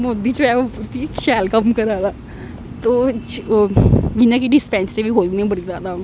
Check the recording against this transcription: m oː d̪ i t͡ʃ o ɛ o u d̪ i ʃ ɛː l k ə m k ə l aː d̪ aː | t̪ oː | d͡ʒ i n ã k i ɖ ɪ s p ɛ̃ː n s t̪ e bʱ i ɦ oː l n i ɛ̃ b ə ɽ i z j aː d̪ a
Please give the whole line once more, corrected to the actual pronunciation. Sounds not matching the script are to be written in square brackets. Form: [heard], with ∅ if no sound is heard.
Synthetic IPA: m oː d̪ i t͡ʃ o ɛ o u [t̪] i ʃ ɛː l k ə m k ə [ɾ] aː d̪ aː | t̪ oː | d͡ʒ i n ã k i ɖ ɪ s p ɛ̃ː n s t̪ e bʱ i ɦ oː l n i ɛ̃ b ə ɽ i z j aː d̪ a